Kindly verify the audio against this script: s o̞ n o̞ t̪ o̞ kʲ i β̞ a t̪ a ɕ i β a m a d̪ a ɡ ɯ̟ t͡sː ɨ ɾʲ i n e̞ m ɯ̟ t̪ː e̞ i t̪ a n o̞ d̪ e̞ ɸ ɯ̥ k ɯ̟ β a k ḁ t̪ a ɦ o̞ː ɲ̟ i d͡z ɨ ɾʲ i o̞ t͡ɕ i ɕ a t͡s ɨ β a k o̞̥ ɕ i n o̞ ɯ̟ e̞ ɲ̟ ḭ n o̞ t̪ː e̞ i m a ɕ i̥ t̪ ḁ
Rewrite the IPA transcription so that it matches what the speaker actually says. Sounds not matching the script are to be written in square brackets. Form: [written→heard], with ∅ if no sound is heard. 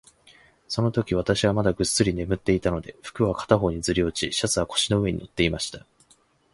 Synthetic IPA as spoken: s o̞ n o̞ t̪ o̞ kʲ i β̞ a t̪ a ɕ i β a m a d̪ a ɡ ɯ̟ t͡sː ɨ ɾʲ i n e̞ m ɯ̟ t̪ː e̞ i t̪ a n o̞ d̪ e̞ ɸ ɯ̥ k ɯ̟ β a k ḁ t̪ a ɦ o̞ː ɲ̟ i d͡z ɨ ɾʲ i o̞ t͡ɕ i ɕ a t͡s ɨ β a k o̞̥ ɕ i n o̞ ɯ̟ e̞ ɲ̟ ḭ n o̞ t̪ː e̞ i m a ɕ i̥ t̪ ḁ